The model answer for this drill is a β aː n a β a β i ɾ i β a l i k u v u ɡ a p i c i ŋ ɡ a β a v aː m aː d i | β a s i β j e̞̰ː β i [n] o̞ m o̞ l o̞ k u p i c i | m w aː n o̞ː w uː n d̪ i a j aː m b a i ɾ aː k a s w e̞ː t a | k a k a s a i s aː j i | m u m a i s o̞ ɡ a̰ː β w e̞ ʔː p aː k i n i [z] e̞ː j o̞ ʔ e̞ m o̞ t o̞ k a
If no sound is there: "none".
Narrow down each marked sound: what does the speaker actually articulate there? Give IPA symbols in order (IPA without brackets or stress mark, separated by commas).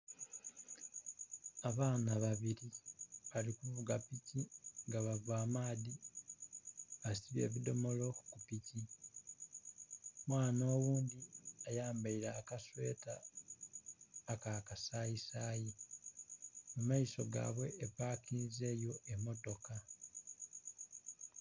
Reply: d, z